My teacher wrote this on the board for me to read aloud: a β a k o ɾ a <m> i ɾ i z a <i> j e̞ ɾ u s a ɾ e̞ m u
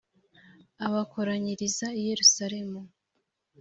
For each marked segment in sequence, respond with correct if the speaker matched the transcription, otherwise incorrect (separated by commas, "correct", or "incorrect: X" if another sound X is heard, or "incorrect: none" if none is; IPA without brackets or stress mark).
incorrect: ɲ, correct